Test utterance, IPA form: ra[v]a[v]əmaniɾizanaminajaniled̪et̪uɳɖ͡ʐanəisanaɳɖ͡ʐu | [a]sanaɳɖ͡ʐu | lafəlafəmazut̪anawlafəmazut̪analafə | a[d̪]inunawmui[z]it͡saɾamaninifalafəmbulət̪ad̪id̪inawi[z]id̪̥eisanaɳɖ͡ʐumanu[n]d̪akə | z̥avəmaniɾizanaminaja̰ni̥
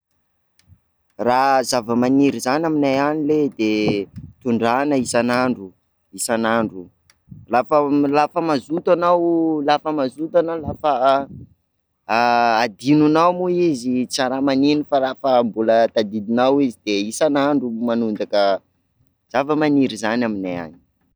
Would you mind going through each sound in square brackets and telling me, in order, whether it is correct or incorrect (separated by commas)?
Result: incorrect, correct, incorrect, correct, correct, correct, correct